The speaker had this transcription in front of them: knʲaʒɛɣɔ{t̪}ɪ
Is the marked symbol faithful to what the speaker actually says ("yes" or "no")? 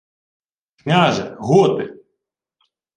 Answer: yes